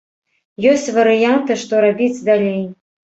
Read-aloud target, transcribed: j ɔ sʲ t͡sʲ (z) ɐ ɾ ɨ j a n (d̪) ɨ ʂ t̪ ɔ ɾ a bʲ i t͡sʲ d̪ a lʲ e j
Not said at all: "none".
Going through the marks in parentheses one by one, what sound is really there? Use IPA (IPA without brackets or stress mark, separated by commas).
v, t̪